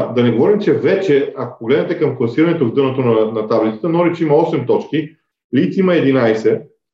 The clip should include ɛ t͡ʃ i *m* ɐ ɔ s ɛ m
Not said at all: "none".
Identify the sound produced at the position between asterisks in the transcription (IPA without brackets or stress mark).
m